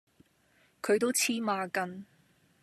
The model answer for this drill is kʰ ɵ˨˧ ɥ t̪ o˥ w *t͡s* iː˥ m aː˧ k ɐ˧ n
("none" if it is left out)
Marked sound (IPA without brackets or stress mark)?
t͡sʰ